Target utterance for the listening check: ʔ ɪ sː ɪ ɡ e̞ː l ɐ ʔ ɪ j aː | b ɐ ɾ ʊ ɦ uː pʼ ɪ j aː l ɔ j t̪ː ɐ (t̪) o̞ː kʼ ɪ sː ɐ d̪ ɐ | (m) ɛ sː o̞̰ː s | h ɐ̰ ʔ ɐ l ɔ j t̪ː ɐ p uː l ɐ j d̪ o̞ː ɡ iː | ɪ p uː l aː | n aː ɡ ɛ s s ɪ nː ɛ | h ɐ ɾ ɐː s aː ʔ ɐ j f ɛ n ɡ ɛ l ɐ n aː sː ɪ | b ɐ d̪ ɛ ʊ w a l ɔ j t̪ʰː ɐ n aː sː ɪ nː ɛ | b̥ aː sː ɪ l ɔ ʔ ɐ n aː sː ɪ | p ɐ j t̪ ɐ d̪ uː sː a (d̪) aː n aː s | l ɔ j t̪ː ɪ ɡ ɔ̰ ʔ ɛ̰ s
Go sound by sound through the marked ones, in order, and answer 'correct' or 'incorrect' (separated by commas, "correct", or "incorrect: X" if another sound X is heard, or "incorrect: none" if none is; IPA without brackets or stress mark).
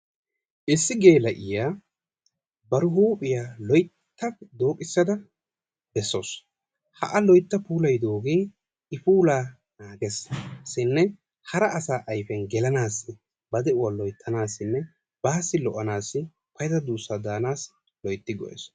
incorrect: d̪, incorrect: b, correct